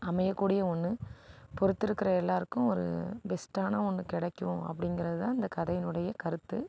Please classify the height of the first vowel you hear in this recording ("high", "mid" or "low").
low